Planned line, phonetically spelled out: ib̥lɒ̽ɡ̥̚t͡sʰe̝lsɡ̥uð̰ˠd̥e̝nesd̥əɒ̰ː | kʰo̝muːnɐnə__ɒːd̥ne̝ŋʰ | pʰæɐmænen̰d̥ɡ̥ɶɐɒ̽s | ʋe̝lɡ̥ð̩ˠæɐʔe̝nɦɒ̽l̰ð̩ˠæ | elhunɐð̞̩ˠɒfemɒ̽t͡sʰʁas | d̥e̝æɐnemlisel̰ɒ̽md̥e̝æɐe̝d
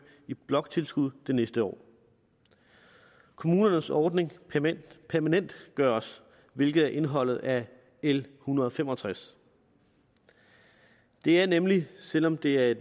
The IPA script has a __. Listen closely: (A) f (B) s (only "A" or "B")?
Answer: B